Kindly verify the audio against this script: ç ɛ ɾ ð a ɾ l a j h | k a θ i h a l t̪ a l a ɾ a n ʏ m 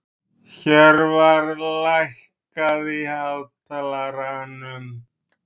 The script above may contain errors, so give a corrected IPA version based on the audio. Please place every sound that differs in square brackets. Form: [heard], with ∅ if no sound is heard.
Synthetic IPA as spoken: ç ɛ ɾ [v] a ɾ l a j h | k a [ð] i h a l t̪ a l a ɾ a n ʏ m